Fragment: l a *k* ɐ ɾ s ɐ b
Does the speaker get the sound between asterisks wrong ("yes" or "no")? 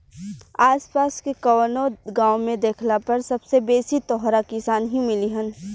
yes